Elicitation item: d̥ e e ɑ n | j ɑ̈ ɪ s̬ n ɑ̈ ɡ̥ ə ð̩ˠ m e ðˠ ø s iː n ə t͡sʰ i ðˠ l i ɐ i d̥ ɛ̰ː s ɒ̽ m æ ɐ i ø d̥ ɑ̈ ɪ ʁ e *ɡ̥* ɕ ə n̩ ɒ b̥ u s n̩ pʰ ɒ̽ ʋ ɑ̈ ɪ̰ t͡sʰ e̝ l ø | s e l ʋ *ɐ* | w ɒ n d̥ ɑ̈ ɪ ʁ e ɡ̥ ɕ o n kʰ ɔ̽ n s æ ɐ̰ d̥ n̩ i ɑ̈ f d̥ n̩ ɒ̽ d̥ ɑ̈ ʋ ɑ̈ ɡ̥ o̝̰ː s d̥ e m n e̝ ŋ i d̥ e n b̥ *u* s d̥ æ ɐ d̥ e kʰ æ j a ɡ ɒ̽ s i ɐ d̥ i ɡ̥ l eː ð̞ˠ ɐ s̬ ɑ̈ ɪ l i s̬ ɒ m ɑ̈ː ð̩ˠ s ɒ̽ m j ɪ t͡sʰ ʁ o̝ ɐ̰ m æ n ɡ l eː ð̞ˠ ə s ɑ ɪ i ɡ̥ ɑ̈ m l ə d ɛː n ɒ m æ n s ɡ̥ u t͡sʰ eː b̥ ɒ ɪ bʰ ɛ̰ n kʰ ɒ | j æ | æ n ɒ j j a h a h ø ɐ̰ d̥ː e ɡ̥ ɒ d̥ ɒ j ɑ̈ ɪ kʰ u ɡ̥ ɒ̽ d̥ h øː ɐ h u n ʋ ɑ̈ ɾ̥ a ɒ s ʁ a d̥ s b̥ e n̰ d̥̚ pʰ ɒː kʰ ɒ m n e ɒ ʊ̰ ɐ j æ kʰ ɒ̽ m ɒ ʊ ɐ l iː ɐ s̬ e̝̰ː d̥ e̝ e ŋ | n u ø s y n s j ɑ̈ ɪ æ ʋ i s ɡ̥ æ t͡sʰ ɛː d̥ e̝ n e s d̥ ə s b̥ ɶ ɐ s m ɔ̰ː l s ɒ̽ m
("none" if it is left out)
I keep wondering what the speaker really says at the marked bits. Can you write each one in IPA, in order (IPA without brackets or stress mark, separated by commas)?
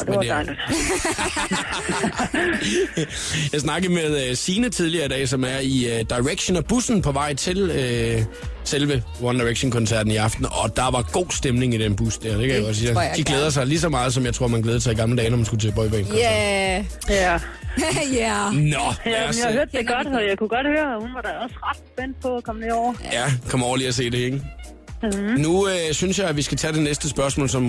ɡ̥, ə, u